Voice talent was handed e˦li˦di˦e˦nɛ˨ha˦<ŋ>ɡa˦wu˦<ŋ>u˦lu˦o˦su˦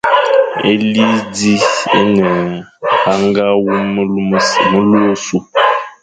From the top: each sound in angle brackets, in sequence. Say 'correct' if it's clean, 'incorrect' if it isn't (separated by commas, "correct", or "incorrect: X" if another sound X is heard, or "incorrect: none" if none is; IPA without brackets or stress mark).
correct, incorrect: m